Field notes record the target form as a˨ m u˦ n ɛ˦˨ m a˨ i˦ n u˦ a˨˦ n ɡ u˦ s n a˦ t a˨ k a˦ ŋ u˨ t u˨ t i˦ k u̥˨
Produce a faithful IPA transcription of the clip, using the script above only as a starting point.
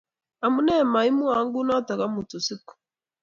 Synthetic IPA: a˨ m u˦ n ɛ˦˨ m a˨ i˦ m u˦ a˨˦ ŋ ɡ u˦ n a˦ t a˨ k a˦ m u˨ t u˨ s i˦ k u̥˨

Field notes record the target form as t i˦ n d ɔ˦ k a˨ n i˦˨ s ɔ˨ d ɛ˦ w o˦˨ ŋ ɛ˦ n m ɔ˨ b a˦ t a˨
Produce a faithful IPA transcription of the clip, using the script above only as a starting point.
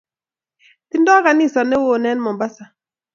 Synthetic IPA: t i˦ n d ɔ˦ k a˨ n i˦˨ s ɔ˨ n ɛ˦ w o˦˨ n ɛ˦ n m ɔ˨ b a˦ s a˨

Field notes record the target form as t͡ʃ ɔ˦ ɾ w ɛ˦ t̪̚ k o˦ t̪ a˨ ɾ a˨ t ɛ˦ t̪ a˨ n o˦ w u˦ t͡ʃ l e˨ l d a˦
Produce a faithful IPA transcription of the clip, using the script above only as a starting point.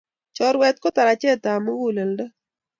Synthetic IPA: t͡ʃ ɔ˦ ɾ w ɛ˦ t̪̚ k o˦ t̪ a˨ ɾ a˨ t͡ʃ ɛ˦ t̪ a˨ m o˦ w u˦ l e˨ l d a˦

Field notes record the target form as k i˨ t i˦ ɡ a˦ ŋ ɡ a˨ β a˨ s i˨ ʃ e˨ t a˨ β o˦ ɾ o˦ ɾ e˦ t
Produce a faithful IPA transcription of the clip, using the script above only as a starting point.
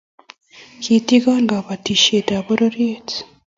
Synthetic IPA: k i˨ t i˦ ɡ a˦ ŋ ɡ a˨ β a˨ t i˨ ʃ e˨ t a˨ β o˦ ɾ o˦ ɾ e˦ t

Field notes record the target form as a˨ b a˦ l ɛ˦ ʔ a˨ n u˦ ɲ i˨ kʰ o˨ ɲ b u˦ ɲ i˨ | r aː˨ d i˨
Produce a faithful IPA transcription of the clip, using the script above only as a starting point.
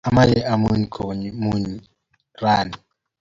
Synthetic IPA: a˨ m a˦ l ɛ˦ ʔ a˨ m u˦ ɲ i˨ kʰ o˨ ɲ m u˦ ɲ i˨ | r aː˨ n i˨

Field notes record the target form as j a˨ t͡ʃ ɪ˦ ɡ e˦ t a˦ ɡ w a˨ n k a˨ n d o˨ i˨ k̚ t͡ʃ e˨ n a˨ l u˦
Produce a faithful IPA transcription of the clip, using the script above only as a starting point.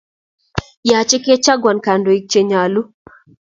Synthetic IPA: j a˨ t͡ʃ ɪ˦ k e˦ t͡ʃ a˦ ɡ w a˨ n k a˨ n d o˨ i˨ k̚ t͡ʃ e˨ ɲ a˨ l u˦

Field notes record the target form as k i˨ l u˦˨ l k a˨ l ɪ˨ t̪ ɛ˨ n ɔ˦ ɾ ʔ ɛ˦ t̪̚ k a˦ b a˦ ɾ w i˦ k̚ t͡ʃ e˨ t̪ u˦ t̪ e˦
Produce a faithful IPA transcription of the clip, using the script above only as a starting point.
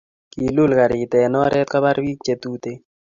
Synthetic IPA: k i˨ l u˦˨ l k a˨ ɾ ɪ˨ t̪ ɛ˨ n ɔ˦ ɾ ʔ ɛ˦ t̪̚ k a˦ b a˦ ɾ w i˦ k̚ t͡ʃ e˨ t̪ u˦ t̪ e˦

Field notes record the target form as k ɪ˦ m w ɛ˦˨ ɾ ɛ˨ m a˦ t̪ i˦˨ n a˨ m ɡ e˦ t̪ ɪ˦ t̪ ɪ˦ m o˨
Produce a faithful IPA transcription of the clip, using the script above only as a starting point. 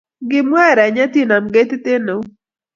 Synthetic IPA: ɡ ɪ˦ m w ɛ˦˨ ɾ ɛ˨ ɲ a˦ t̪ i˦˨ n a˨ m ɡ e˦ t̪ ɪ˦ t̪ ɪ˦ n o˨

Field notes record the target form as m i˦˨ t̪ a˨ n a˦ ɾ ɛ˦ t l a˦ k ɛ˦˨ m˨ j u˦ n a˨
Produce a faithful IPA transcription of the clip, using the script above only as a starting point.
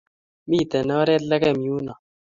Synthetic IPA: m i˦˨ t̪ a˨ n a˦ ɾ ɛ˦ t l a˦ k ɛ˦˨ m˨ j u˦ n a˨

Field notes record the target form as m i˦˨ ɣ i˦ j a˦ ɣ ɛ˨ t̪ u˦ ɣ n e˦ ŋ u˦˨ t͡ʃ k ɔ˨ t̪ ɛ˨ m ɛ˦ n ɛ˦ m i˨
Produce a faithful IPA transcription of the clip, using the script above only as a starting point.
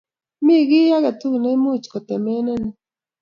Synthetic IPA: m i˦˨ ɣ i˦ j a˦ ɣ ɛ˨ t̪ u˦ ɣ n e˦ m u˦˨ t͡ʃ k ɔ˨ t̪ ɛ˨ m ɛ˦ n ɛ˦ n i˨

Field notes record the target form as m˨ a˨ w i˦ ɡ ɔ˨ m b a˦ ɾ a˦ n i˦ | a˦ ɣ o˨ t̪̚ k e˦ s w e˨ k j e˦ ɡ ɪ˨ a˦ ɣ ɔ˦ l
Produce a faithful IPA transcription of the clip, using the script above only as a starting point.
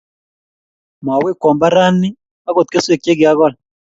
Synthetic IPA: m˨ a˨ w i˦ k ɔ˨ m b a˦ ɾ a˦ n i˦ | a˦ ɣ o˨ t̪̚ k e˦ s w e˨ k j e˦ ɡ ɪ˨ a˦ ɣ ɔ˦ l

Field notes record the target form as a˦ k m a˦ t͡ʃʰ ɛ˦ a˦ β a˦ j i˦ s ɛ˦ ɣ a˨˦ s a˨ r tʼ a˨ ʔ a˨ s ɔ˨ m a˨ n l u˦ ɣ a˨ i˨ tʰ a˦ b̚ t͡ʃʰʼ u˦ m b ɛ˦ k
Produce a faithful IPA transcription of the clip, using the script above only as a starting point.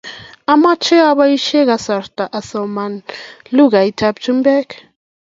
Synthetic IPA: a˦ m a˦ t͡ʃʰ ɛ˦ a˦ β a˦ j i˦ ʃ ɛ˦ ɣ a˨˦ s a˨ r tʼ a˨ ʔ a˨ s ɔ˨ m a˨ n l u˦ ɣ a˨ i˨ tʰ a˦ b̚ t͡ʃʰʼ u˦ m b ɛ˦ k

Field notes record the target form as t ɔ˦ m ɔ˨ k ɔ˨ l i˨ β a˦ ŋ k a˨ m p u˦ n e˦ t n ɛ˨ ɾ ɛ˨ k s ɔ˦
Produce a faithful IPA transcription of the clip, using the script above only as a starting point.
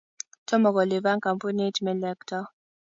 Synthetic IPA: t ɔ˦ m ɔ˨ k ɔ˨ l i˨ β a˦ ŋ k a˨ m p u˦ n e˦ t m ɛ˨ l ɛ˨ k t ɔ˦

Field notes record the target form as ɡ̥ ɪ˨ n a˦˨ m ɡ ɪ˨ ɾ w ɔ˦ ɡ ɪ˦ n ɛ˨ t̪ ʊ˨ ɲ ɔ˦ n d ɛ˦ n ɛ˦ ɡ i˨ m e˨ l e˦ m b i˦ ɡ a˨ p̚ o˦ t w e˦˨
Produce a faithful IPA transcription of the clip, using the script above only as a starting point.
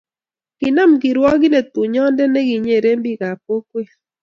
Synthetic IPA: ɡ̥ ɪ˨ n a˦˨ m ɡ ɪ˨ ɾ w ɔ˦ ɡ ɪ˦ n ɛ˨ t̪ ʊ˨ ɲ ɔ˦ n d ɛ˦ n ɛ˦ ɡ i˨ ɲ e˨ ɾ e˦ m b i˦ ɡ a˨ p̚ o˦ k w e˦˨

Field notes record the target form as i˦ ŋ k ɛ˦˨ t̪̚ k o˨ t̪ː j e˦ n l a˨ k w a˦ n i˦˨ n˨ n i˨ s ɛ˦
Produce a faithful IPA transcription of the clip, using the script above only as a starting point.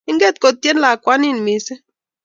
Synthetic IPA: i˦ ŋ ɡ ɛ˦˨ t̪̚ k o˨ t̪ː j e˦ n l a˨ k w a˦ n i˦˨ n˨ m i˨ s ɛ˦

